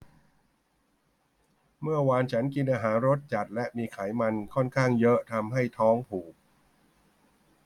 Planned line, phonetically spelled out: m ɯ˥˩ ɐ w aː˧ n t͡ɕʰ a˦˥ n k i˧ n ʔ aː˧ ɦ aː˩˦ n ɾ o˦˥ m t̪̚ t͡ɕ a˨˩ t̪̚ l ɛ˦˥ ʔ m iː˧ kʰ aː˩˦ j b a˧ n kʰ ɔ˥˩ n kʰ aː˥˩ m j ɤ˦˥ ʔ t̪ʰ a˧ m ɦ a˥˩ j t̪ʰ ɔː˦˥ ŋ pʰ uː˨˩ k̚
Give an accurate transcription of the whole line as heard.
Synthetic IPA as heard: m ɯ˥˩ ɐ w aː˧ n t͡ɕʰ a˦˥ n k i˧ n ʔ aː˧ ɦ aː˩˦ n ɾ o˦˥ t̪̚ t͡ɕ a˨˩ t̪̚ l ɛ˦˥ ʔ m iː˧ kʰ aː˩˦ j m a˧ n kʰ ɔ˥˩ n kʰ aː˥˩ ŋ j ɤ˦˥ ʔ t̪ʰ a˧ m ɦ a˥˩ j t̪ʰ ɔː˦˥ ŋ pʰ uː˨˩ k̚

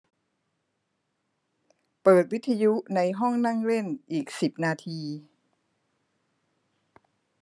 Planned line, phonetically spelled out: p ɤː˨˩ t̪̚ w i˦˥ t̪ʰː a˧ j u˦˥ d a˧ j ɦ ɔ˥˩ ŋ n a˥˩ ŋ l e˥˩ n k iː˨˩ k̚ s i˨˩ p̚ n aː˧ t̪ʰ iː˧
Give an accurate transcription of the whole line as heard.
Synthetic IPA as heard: p ɤː˨˩ t̪̚ w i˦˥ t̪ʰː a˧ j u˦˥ n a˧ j ɦ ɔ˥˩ ŋ n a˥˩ ŋ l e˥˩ n ʔ iː˨˩ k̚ s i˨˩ p̚ n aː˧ t̪ʰ iː˧

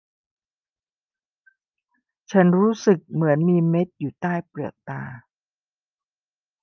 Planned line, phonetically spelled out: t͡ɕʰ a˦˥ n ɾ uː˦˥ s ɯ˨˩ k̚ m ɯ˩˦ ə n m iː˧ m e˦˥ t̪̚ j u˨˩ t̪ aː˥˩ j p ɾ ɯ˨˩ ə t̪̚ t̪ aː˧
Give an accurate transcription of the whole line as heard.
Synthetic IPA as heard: t͡ɕʰ a˦˥ n ɾ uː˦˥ s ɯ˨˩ k̚ m ɯ˩˦ ə n m iː˧ m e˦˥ t̪̚ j uː˨˩ t̪ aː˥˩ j p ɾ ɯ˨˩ ə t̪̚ t̪ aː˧

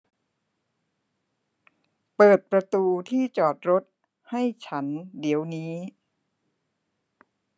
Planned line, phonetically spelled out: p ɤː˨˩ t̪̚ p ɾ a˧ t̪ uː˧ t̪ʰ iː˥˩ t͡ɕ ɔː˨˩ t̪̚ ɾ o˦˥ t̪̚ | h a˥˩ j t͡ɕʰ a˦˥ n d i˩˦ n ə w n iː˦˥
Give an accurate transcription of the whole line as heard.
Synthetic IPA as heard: p ɤː˨˩ t̪̚ p ɾ a˧ t̪ uː˧ t̪ʰ iː˥˩ t͡ɕ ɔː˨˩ t̪̚ ɾ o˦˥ t̪̚ | h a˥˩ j t͡ɕʰ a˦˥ n d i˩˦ ə w n iː˦˥

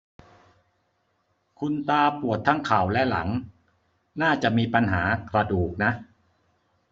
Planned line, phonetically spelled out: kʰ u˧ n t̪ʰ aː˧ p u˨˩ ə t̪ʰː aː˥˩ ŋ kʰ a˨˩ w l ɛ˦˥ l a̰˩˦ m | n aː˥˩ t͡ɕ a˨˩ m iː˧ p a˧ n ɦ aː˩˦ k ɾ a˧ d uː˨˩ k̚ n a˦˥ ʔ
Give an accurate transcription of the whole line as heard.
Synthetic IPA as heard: kʰ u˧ n t̪ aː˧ p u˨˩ ə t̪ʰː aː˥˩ ŋ kʰ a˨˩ w l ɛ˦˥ l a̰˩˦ ŋ | n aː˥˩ t͡ɕ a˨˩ m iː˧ p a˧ n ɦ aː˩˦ k ɾ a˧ d uː˨˩ k̚ n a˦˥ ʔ

